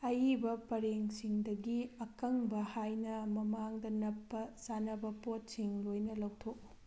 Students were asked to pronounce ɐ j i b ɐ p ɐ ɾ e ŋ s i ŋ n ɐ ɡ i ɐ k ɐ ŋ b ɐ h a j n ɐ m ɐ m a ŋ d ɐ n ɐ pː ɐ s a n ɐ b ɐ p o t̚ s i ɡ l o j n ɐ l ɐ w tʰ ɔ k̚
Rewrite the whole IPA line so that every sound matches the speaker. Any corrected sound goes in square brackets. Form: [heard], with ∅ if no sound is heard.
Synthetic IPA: ɐ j i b ɐ p ɐ ɾ e ŋ s i ŋ [d] ɐ ɡ i ɐ k ɐ ŋ b ɐ h a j n ɐ m ɐ m a ŋ d ɐ n ɐ pː ɐ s a n ɐ b ɐ p o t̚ s i [ŋ] l o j n ɐ l ɐ w tʰ [o] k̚